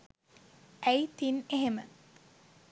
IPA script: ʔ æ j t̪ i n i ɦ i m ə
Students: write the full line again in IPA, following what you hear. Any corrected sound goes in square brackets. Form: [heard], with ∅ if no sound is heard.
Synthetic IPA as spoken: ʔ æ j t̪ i n [e] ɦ [e] m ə